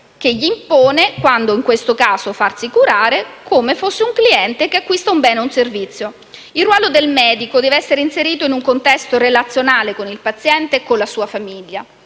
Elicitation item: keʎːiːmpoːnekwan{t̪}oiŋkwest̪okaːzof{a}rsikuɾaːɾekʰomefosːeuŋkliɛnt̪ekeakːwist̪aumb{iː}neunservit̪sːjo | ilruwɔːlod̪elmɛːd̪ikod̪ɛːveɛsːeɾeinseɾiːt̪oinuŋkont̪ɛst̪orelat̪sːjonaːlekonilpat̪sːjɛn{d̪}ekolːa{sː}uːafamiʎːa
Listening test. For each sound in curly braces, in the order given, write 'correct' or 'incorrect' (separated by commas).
incorrect, correct, incorrect, incorrect, incorrect